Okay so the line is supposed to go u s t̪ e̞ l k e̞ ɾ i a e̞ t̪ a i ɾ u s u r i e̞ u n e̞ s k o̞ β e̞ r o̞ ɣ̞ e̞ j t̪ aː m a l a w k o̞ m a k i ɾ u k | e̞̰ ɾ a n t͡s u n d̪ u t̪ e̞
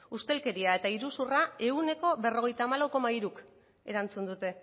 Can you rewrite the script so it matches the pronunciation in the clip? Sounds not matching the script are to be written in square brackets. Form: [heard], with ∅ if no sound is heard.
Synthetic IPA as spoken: u s t̪ e̞ l k e̞ ɾ i a e̞ t̪ a i ɾ u s u r [a] e̞ u n e̞ [∅] k o̞ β e̞ r o̞ ɣ̞ e̞ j t̪ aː m a l a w k o̞ m a [∅] i ɾ u k | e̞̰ ɾ a n t͡s u n d̪ u t̪ e̞